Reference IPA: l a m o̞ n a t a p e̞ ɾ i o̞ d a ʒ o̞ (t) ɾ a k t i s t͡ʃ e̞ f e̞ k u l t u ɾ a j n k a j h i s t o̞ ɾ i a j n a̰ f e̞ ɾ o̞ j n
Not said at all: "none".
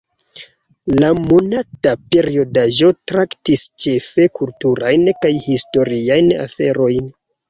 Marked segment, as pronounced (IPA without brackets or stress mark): t